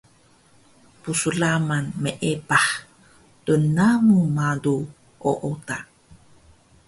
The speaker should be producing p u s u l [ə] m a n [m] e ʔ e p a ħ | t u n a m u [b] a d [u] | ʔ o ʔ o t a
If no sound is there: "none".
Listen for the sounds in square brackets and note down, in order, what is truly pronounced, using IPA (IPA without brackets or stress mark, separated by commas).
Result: a, m, m, u